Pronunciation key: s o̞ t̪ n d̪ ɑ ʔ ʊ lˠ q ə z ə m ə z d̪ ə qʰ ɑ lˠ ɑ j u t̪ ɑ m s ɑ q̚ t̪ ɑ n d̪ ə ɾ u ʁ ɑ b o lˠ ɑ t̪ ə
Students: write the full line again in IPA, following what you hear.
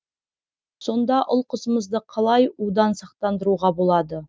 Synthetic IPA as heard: s o̞ n d̪ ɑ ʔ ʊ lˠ q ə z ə m ə z d̪ ə qʰ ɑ lˠ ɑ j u d̪ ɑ n s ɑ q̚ t̪ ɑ n d̪ ə ɾ u ʁ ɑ b o lˠ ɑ d̪ ə